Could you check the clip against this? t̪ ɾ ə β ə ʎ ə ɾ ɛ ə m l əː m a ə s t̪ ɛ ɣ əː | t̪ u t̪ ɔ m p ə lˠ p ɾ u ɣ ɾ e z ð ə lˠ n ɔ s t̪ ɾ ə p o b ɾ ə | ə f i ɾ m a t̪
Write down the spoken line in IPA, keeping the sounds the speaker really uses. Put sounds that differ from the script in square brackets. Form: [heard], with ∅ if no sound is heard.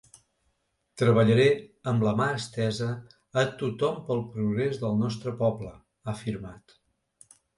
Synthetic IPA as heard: t̪ ɾ ə β ə ʎ ə ɾ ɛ ə m l [ə] m a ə s t̪ ɛ [z] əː | t̪ u t̪ ɔ m p ə lˠ p ɾ u ɣ ɾ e z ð ə lˠ n ɔ s t̪ ɾ ə p [ɔ] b [l] ə | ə f i ɾ m a t̪